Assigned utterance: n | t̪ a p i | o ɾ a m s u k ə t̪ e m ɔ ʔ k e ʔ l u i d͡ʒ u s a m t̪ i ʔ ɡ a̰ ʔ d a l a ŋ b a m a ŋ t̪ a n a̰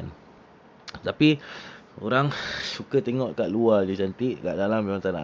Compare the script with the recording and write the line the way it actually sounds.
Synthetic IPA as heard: n | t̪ a p i | o ɾ a ŋ s u k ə t̪ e ŋ ɔ ʔ k a ʔ l u a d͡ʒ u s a n t̪ i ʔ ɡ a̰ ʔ d a l a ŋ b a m a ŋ t̪ a n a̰